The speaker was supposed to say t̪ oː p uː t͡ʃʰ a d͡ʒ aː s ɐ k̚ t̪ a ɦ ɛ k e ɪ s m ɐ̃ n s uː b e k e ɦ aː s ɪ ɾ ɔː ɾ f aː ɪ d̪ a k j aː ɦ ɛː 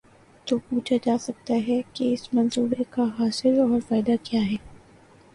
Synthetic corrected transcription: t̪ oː p uː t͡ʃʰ a d͡ʒ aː s ɐ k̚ t̪ a ɦ ɛ k e ɪ s m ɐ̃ n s uː b e k a ɦ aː s ɪ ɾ ɔː ɾ f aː ɪ d̪ a k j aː ɦ ɛː